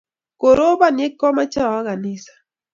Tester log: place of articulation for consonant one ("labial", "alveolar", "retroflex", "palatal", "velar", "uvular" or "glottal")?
velar